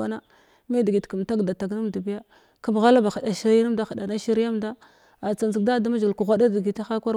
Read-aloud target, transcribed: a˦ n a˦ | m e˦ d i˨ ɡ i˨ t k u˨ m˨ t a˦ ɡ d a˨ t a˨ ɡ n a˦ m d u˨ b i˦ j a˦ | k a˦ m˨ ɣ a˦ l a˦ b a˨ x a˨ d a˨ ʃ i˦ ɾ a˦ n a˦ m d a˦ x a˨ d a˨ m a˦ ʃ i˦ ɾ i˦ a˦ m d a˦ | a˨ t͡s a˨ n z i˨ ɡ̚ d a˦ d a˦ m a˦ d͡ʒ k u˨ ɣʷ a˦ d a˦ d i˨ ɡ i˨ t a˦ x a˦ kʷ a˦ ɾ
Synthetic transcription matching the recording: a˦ n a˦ | m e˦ d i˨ ɡ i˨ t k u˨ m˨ t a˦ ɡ d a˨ t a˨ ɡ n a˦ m d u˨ b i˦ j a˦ | k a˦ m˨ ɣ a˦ l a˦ b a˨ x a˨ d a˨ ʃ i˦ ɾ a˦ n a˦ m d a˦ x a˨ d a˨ n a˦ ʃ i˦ ɾ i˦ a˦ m d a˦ | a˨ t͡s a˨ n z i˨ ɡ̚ d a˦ d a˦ m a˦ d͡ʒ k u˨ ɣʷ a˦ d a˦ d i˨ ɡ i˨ t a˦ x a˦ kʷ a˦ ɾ